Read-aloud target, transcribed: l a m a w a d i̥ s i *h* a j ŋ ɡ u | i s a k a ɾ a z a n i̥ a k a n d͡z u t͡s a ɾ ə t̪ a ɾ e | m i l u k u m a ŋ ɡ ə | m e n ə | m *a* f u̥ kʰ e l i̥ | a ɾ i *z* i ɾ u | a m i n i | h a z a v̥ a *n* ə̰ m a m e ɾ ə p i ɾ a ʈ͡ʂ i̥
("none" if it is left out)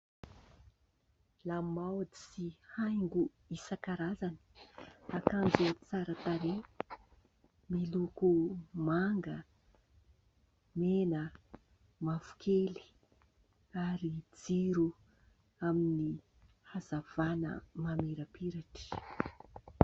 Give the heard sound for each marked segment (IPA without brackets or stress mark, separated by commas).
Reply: h, a, d͡z, n